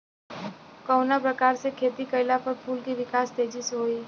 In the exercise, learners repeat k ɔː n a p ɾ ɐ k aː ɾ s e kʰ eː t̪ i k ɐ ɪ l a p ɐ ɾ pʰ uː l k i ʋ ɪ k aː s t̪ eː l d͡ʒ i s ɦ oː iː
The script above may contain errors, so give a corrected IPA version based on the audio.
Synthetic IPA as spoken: k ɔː n a p ɾ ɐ k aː ɾ s e kʰ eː t̪ i k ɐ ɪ l a p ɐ ɾ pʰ uː l k i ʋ ɪ k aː s t̪ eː d͡ʒ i s ɦ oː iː